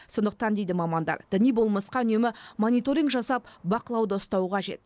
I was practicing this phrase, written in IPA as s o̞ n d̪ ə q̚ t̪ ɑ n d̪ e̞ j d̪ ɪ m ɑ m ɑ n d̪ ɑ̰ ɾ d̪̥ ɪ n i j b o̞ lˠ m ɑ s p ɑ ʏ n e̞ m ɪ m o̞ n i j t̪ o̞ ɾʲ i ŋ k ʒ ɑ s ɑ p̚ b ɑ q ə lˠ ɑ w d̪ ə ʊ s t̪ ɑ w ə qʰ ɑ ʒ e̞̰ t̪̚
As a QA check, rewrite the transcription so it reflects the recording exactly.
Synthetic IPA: s o̞ n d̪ ə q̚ t̪ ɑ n d̪ e̞ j d̪ ɪ m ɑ m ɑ n d̪ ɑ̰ ɾ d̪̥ ɪ n i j b o̞ lˠ m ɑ s q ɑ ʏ n e̞ m ɪ m o̞ n i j t̪ o̞ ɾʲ i ŋ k ʒ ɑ s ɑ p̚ b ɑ q ə lˠ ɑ w d̪ ə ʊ s t̪ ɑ w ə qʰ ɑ ʒ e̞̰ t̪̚